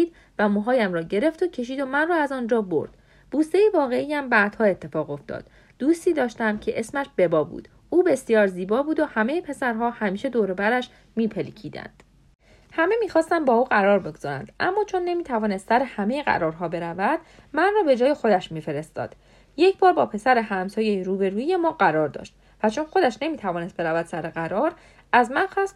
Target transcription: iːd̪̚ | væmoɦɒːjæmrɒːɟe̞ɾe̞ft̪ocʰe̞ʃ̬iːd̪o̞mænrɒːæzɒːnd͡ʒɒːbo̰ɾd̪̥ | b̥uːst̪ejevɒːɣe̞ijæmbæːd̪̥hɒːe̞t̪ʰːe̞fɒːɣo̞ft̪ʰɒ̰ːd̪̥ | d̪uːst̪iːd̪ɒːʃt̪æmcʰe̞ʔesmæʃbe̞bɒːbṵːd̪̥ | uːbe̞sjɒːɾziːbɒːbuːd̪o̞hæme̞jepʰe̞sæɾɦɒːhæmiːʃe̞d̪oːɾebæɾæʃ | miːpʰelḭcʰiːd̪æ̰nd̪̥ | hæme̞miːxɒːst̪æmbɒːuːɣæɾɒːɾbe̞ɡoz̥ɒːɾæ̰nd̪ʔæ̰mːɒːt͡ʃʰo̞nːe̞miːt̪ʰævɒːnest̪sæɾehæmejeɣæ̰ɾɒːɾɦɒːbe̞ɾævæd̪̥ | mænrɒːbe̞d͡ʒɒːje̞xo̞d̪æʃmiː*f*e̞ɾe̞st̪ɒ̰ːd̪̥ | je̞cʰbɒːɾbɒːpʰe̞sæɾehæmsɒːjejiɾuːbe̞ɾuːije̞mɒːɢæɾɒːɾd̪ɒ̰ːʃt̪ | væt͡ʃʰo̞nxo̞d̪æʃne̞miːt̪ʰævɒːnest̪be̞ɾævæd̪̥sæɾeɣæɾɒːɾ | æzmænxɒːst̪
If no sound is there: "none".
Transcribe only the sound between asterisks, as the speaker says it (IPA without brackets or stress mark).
f